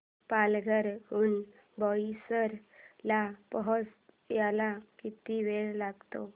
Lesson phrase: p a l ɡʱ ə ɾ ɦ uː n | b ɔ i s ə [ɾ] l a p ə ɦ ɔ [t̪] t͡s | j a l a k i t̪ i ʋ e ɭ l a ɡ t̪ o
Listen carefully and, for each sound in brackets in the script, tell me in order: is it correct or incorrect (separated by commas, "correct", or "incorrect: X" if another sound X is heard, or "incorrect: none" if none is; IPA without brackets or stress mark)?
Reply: correct, incorrect: none